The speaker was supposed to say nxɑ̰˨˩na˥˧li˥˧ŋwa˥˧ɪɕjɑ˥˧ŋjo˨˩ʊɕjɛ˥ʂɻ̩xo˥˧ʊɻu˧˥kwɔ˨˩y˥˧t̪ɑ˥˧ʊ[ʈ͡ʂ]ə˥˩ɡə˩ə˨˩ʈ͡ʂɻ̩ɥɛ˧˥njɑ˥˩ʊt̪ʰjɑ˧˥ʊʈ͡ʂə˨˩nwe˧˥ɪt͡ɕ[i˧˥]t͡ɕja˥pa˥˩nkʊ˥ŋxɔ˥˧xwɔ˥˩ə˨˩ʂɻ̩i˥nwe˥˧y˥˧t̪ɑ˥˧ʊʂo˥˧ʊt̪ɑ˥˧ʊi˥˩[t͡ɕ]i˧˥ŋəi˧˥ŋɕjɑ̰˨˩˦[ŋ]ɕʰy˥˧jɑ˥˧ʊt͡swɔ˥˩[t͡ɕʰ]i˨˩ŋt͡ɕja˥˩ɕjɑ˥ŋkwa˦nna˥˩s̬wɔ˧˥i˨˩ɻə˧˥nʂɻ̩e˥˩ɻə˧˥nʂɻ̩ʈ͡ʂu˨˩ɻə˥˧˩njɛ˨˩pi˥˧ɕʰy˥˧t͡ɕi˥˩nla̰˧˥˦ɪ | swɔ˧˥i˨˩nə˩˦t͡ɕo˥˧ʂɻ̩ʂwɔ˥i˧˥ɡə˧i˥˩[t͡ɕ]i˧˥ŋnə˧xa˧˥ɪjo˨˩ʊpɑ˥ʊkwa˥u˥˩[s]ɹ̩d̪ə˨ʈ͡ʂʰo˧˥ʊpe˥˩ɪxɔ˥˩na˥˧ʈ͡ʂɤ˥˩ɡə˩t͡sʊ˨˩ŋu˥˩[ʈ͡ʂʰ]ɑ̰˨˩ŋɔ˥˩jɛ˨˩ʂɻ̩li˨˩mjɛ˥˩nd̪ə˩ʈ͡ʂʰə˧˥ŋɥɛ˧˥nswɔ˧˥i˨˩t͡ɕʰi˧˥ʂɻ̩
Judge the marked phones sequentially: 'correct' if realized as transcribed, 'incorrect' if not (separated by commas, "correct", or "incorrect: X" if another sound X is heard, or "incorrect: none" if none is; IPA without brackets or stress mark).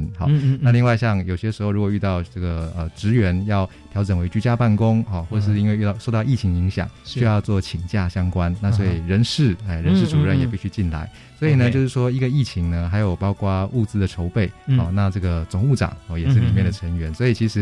correct, incorrect: y˧˥, incorrect: t͡ɕʰ, correct, correct, incorrect: t͡ɕʰ, incorrect: t͡s, incorrect: ʈ͡ʂ